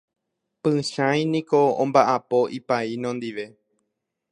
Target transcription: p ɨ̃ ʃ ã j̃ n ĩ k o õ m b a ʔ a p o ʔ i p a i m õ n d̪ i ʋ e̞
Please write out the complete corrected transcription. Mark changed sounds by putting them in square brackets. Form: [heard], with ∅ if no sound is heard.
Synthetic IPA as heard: p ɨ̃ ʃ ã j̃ n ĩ k o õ m b a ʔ a p o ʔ i p a i [n] õ n d̪ i ʋ e̞